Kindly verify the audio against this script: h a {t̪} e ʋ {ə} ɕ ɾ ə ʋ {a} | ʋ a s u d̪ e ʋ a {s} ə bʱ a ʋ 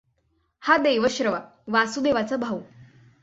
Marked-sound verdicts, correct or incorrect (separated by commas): incorrect, correct, correct, incorrect